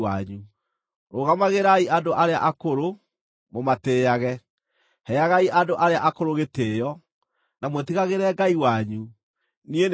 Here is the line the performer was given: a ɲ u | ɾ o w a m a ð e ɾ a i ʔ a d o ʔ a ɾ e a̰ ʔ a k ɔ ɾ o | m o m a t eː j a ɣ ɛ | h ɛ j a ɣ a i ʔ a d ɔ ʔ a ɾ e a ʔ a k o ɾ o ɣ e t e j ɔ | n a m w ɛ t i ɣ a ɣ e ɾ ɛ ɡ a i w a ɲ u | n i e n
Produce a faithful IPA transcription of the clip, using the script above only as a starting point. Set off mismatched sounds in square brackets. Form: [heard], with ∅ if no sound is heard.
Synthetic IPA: a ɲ u | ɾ o [ɣ] a m a [ɣ] e ɾ a i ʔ a d o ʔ a ɾ e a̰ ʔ a k [o] ɾ o | m o m a t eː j a ɣ ɛ | h ɛ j a ɣ a i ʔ a d [o] ʔ a ɾ e a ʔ a k o ɾ o ɣ e t e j ɔ | n a m w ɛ t i ɣ a ɣ e ɾ ɛ ɡ a i w a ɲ u | n i e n